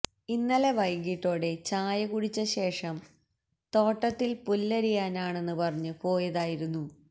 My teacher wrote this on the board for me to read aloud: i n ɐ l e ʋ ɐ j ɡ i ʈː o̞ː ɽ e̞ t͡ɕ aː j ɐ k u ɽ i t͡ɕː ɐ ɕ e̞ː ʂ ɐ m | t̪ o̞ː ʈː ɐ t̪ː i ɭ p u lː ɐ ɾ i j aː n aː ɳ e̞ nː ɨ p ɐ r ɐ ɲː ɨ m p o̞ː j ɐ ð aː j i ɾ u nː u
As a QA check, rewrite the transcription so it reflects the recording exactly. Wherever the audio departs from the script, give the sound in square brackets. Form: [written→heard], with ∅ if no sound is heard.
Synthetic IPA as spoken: i [n→nː] ɐ l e ʋ ɐ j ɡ i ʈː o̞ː ɽ e̞ t͡ɕ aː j ɐ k u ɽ i t͡ɕː ɐ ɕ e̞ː ʂ ɐ m | t̪ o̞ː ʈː ɐ t̪ː i [ɭ→l] p u lː ɐ ɾ i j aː n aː ɳ e̞ nː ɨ p ɐ r ɐ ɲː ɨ [m→∅] p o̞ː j ɐ ð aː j i ɾ u nː u

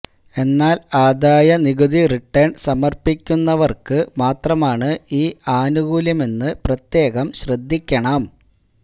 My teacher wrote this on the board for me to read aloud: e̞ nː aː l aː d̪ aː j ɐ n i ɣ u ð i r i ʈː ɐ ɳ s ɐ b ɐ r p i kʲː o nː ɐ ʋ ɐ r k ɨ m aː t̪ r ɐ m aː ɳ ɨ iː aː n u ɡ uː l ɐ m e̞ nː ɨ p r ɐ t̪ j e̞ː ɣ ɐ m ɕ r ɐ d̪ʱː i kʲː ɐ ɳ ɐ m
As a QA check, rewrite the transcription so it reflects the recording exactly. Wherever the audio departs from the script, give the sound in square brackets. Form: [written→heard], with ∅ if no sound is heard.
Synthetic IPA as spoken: e̞ nː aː l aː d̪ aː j ɐ n i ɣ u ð i r i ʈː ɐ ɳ s ɐ [b→m] ɐ r p i kʲː [o→u] nː ɐ ʋ ɐ r k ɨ m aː t̪ r ɐ m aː ɳ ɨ iː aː n u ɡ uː l ɐ m e̞ nː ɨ p r ɐ t̪ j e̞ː ɣ ɐ m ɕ r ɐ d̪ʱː i kʲː ɐ ɳ ɐ m

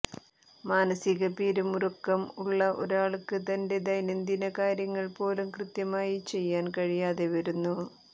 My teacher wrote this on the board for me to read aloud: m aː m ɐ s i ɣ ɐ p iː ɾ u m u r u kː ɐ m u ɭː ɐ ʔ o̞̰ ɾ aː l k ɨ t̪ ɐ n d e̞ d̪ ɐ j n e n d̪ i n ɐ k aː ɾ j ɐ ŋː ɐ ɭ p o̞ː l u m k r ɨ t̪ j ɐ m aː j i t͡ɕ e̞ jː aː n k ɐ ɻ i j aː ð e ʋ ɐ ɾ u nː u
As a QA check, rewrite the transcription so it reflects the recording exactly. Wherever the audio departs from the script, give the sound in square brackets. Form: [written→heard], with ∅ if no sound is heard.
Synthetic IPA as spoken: m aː [m→n] ɐ s i ɣ ɐ p iː ɾ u m u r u kː ɐ m u ɭː ɐ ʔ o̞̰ ɾ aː [l→ɭ] k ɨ t̪ ɐ n d e̞ d̪ ɐ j n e n d̪ i n ɐ k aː ɾ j ɐ ŋː ɐ ɭ p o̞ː l u m k r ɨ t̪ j ɐ m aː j i t͡ɕ e̞ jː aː n k ɐ ɻ i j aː ð e ʋ ɐ ɾ u nː u

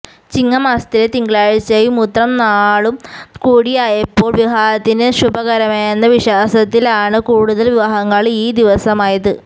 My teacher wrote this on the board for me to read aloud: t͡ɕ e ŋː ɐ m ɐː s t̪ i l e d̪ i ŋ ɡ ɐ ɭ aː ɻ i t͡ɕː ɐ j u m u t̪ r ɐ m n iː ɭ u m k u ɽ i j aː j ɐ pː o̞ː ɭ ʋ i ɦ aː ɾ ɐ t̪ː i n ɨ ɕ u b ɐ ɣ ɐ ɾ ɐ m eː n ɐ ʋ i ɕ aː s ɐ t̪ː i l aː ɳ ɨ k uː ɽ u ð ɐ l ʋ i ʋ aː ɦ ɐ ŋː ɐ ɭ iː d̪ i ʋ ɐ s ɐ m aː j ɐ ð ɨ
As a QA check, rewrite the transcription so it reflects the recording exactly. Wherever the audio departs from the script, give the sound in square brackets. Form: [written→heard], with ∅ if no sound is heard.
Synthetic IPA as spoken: t͡ɕ [e→i] ŋː ɐ m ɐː s t̪ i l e [d̪→t̪] i ŋ ɡ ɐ ɭ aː ɻ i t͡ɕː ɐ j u m u t̪ r ɐ m n [iː→aː] ɭ u m k [u→uː] ɽ i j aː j ɐ pː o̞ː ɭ ʋ i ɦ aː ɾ ɐ t̪ː i n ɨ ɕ u b ɐ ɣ ɐ ɾ ɐ m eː [n→nː] ɐ ʋ i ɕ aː s ɐ t̪ː i l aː ɳ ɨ k uː ɽ u ð ɐ l ʋ i ʋ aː ɦ ɐ ŋː ɐ ɭ iː d̪ i ʋ ɐ s ɐ m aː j ɐ ð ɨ

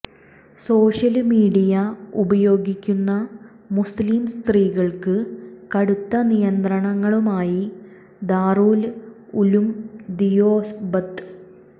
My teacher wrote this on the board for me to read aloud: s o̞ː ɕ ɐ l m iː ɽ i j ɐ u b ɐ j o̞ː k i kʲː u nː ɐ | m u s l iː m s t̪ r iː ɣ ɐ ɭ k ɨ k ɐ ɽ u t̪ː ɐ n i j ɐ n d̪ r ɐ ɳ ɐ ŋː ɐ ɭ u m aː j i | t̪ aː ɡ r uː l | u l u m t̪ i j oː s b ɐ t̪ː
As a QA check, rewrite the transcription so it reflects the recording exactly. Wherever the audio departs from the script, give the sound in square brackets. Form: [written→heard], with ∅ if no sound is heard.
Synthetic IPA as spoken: s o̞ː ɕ ɐ l m iː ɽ i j ɐ u b ɐ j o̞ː [k→ɡ] i kʲː u nː ɐ | m u s l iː m s t̪ r iː ɣ ɐ ɭ k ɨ k ɐ ɽ u t̪ː ɐ n i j ɐ n d̪ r ɐ ɳ ɐ ŋː ɐ ɭ u m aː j i | [t̪→d̪] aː [ɡ→∅] r uː l | u l u m [t̪→d̪] i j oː s b ɐ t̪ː

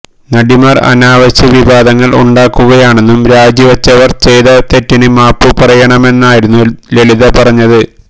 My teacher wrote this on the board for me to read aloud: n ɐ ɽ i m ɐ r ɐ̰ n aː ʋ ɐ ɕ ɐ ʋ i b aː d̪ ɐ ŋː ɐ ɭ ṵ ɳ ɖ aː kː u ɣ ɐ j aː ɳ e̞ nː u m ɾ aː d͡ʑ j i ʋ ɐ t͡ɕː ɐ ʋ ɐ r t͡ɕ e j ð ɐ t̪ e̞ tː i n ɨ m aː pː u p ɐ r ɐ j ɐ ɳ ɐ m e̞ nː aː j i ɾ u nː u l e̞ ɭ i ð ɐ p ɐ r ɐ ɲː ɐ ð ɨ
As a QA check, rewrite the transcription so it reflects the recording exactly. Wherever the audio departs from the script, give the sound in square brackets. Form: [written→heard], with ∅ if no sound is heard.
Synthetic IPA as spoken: n ɐ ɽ i m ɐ r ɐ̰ n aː ʋ ɐ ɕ ɐ ʋ i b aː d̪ ɐ ŋː ɐ ɭ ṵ ɳ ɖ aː kː u ɣ ɐ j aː ɳ e̞ nː u m ɾ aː d͡ʑ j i ʋ ɐ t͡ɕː ɐ ʋ ɐ r t͡ɕ e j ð ɐ t̪ e̞ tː i n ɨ m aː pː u p ɐ r ɐ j ɐ ɳ ɐ m e̞ nː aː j i ɾ u nː u l e̞ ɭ i ð ɐ p ɐ r ɐ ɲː ɐ ð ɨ

